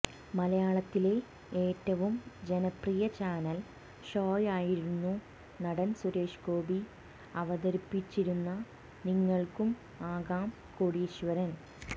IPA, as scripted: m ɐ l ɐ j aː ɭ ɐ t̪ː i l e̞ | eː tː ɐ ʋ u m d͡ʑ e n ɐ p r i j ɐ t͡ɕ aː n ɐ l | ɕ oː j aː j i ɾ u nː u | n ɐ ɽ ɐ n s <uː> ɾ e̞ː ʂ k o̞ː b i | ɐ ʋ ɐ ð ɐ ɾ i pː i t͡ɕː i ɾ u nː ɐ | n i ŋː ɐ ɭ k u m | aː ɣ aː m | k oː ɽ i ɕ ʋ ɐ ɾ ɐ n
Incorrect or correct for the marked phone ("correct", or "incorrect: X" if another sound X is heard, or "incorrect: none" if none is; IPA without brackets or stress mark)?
incorrect: u